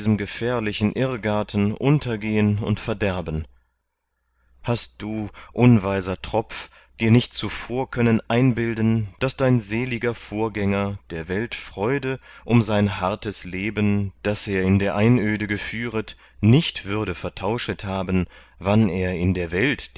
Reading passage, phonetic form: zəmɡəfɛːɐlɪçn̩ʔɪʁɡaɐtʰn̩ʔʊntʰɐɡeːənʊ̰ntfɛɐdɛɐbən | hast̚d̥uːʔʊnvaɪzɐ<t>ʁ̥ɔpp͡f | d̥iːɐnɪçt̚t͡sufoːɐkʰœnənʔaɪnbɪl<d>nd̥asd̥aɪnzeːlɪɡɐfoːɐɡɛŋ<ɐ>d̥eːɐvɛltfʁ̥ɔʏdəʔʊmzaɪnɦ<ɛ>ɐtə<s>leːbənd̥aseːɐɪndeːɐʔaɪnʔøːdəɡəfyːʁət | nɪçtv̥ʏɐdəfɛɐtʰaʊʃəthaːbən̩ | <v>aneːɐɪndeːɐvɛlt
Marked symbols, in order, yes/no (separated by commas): yes, yes, yes, no, yes, yes